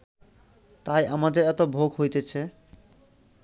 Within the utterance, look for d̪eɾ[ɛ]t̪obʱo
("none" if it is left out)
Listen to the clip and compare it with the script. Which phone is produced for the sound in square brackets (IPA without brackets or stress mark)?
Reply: ɛ